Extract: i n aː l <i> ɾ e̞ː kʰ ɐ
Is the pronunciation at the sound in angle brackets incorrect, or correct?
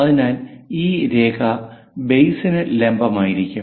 incorrect